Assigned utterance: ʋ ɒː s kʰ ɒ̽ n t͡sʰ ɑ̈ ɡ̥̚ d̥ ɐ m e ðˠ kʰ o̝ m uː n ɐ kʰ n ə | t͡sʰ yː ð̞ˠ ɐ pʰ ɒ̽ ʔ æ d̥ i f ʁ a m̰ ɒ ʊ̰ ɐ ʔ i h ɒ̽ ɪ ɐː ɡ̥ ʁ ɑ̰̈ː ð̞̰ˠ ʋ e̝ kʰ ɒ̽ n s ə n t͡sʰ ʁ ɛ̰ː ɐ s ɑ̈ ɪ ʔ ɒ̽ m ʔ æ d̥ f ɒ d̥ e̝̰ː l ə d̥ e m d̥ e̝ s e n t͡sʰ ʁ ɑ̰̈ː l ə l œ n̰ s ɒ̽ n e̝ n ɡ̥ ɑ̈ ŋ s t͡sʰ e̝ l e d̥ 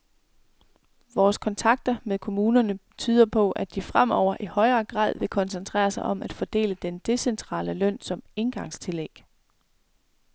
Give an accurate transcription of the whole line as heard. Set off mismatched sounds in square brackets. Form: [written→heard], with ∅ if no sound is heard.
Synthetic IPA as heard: ʋ ɒː s kʰ ɒ̽ n t͡sʰ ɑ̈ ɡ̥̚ d̥ ɐ m e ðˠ kʰ o̝ m uː n ɐ [kʰ→∅] n ə | t͡sʰ yː ð̞ˠ ɐ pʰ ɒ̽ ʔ æ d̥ i f ʁ a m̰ ɒ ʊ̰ ɐ ʔ i h ɒ̽ ɪ ɐː ɡ̥ ʁ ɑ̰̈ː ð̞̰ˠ ʋ e̝ kʰ ɒ̽ n s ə n t͡sʰ ʁ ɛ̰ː ɐ s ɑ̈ ɪ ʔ ɒ̽ m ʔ æ d̥ f ɒ d̥ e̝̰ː l ə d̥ e [m→n] d̥ e̝ s e n t͡sʰ ʁ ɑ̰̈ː l ə l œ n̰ s ɒ̽ [n→m] e̝ n ɡ̥ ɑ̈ ŋ s t͡sʰ e̝ l e [d̥→ɡ̥]